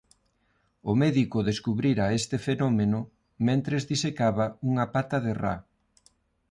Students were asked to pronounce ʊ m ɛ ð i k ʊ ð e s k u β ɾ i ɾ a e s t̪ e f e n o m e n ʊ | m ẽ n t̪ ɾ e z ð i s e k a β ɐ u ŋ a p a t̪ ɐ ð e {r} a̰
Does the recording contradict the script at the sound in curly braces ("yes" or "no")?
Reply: no